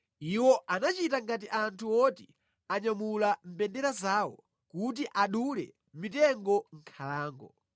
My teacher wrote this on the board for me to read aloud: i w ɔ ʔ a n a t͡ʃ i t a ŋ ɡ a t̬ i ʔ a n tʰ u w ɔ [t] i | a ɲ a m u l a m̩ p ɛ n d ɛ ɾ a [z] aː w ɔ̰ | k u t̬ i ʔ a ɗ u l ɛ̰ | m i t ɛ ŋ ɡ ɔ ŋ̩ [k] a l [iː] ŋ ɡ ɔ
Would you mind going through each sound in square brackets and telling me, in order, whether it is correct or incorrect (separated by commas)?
correct, correct, incorrect, incorrect